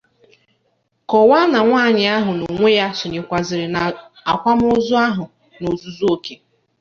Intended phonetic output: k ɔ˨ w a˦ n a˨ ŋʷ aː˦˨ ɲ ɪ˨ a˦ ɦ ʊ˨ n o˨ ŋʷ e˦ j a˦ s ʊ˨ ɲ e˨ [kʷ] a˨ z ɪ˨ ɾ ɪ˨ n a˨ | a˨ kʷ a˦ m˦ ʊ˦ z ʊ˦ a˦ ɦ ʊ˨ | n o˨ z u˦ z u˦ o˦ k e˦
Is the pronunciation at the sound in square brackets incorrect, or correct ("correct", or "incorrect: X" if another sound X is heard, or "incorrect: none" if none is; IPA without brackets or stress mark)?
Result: correct